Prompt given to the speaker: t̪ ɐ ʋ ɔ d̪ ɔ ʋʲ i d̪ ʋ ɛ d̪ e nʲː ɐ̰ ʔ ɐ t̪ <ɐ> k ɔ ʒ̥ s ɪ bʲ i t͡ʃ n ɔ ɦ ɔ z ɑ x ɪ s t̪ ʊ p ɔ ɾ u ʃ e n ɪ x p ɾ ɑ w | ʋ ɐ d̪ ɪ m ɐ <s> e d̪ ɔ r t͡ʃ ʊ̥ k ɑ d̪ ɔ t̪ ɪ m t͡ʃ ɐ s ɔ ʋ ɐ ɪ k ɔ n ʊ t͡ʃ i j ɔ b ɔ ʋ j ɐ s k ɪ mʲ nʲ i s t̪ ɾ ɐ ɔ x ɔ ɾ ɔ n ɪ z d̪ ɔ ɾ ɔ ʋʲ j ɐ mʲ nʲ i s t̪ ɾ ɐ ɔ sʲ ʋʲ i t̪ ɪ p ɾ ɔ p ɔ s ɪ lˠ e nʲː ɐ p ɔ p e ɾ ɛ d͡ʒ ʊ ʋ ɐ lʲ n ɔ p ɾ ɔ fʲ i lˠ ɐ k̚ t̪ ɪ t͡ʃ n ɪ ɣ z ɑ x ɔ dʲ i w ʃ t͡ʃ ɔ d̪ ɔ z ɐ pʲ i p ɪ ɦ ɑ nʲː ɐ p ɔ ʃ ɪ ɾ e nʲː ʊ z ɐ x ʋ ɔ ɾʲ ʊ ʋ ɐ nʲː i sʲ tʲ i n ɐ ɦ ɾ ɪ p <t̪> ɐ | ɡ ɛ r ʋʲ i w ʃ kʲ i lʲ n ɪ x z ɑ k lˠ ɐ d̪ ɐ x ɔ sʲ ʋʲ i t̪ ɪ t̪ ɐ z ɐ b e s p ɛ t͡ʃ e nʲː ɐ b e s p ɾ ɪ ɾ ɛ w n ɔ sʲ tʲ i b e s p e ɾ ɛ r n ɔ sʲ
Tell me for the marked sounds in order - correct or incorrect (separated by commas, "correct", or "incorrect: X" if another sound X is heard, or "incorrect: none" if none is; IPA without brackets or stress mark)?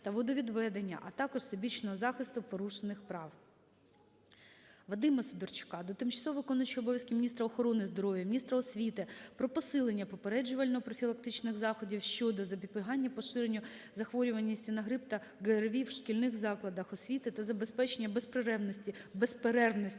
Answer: incorrect: ɑ, correct, correct